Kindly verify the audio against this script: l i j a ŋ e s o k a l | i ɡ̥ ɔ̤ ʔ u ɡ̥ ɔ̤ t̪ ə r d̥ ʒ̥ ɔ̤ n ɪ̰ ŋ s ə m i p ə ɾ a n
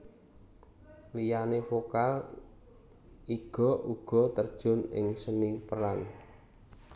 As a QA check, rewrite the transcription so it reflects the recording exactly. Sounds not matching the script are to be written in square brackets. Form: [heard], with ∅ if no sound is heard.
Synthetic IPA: l i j a [n] e [f] o k a l | i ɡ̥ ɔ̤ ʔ u ɡ̥ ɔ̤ t̪ ə r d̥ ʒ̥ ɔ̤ n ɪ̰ ŋ s ə [n] i p ə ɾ a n